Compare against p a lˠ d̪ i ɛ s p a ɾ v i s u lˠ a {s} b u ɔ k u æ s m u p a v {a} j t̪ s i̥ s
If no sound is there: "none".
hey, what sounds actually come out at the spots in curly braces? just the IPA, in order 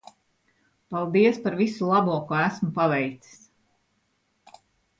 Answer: none, ɛ

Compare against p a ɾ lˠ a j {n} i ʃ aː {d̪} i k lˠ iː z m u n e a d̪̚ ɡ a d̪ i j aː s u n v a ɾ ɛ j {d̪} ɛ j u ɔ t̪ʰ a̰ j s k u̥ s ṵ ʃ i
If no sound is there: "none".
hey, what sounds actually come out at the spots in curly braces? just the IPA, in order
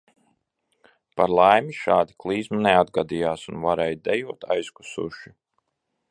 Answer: m, d̪, d̪

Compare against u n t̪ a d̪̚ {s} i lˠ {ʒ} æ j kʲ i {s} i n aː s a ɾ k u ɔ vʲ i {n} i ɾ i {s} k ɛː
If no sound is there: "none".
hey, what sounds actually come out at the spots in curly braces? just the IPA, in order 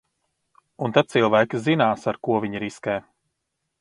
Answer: s, v, z, ɲ, s

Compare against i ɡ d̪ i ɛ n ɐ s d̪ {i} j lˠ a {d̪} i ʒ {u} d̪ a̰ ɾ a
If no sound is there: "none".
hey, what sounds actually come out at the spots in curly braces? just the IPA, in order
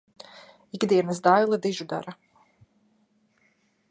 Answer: a, d̪, u

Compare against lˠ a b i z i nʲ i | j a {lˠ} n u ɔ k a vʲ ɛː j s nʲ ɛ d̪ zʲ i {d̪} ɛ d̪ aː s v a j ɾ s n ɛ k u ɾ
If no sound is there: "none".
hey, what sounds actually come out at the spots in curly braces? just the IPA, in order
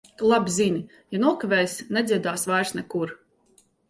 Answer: none, none

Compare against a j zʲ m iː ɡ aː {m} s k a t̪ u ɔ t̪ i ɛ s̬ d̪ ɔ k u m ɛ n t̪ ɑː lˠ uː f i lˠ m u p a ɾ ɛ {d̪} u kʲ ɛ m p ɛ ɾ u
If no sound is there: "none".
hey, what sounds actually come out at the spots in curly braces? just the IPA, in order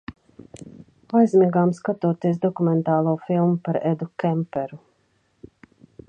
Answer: m, d̪

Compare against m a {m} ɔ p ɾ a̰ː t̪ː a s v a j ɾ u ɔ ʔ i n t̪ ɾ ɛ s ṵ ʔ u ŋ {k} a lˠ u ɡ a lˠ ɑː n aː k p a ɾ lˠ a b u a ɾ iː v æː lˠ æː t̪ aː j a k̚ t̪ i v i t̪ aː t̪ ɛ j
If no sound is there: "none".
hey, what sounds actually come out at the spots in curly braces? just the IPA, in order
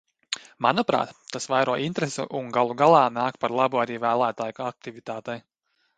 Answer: n, ɡ

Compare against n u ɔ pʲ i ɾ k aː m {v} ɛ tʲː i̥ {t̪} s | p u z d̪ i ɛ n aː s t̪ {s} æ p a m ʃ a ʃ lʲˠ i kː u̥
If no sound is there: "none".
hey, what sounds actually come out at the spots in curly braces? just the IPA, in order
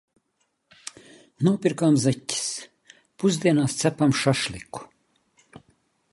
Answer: z, none, s

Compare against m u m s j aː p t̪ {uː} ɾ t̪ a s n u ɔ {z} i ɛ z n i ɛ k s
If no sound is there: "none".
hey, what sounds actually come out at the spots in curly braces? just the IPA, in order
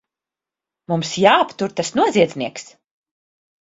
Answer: u, z

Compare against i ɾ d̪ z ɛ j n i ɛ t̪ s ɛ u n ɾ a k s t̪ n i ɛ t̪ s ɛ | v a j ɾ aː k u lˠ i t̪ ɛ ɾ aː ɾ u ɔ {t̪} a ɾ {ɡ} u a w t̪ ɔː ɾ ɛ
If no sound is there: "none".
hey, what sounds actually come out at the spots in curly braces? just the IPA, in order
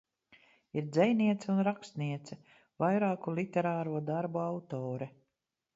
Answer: d̪, b

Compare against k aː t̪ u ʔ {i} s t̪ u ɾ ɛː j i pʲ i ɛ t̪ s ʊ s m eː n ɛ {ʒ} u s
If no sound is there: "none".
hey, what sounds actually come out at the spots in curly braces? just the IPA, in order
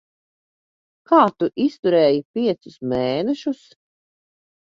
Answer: i, ʃ

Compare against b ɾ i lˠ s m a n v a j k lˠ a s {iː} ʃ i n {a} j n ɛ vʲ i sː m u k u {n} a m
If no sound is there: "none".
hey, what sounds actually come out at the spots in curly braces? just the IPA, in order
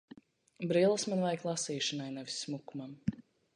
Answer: iː, a, m

